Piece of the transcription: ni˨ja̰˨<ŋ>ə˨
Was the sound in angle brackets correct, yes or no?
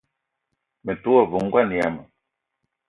no